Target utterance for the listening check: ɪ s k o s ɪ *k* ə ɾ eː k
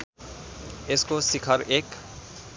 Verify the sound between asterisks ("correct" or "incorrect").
incorrect